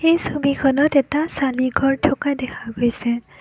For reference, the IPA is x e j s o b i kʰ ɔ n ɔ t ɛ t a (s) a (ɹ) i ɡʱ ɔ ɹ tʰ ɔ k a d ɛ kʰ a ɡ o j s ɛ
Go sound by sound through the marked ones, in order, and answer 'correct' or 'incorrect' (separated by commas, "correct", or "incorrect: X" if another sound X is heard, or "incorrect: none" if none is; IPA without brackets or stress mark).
correct, incorrect: l